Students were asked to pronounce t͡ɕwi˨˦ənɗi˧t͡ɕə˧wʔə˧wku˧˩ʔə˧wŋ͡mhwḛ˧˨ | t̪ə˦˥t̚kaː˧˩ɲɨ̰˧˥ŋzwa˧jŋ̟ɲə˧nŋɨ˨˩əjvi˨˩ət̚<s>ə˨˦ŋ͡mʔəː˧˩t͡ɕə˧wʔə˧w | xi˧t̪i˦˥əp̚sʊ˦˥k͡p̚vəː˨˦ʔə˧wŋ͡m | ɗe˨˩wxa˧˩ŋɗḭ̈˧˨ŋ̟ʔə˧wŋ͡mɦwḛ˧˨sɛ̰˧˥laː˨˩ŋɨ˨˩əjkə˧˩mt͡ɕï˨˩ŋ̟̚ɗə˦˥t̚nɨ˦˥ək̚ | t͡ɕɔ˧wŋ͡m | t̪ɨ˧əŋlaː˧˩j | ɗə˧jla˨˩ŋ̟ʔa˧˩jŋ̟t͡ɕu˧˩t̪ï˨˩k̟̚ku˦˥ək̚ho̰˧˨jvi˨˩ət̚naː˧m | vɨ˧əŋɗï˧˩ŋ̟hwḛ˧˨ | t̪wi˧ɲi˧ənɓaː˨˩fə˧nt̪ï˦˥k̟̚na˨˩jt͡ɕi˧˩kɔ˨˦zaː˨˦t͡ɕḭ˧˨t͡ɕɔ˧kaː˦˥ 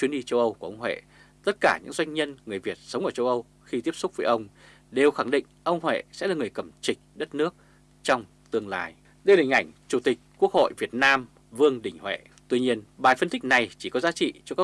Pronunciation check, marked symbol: correct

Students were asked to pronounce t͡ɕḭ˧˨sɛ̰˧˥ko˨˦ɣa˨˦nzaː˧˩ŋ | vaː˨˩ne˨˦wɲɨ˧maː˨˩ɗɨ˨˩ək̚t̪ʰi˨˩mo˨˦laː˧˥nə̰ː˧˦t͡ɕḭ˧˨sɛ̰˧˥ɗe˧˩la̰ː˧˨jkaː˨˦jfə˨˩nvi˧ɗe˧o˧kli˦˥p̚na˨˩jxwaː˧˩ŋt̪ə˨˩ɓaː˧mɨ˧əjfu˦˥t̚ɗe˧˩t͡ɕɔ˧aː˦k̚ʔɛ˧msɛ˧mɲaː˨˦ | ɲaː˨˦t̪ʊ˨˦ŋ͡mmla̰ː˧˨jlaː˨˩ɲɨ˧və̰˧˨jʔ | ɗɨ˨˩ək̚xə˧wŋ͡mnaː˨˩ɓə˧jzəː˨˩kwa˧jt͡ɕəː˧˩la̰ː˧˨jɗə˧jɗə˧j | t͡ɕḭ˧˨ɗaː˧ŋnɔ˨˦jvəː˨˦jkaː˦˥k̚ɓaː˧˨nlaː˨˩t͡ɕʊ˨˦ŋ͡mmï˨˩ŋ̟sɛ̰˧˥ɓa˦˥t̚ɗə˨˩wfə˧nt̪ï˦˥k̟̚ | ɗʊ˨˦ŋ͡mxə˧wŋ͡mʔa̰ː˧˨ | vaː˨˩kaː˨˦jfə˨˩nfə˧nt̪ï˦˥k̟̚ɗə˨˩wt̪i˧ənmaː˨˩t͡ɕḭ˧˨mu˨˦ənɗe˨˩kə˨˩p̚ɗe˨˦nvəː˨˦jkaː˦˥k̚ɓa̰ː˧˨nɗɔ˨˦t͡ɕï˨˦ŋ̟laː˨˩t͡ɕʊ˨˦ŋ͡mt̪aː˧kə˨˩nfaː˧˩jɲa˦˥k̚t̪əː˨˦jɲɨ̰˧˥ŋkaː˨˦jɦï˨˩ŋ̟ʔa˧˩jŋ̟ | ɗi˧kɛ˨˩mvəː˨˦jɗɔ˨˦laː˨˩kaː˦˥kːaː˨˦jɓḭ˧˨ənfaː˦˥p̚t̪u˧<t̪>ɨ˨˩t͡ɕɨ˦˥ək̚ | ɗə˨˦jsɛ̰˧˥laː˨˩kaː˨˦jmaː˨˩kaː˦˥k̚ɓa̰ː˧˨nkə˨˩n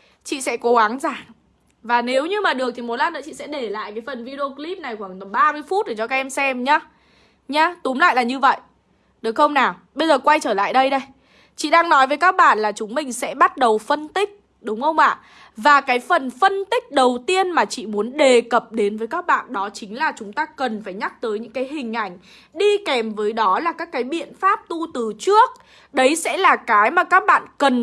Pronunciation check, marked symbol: correct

